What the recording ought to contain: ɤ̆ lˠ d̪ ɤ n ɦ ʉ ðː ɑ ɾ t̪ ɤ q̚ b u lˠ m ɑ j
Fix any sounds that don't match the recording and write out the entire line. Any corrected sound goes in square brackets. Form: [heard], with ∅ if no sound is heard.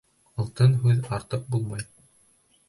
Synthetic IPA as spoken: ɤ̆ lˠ [t̪] ɤ n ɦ ʉ [ð] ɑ ɾ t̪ ɤ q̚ b u lˠ m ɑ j